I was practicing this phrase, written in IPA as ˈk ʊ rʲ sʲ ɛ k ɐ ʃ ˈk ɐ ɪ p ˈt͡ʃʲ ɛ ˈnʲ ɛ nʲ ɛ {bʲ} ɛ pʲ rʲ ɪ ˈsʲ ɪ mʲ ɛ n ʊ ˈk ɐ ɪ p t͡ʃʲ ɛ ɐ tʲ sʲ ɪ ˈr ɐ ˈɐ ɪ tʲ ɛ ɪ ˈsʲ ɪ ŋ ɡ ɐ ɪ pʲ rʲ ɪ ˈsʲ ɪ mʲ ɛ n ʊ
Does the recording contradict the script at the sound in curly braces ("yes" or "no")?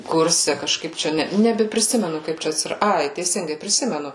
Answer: no